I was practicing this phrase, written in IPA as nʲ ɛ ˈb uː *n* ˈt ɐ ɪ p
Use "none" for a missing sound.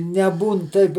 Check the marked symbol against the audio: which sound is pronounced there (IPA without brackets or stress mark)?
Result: n